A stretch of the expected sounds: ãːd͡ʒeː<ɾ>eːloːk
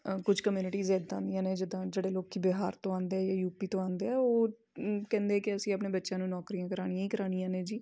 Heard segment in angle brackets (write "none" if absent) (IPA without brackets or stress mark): ɽ